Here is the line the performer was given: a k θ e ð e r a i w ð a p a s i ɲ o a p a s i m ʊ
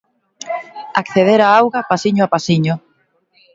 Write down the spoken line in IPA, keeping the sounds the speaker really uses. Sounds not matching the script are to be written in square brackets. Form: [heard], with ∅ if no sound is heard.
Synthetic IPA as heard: a k θ e ð e [ɾ] a [a] w [ɣ] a p a s i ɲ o a p a s i [ɲ] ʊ